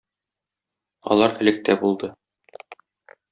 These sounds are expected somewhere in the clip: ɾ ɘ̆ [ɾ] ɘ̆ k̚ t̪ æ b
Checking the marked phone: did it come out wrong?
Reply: yes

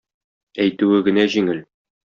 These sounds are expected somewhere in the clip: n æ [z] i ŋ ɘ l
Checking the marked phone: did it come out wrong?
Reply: yes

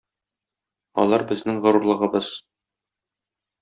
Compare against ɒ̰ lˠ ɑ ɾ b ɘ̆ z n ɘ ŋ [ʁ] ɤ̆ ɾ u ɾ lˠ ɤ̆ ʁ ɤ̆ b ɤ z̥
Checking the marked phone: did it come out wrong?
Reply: no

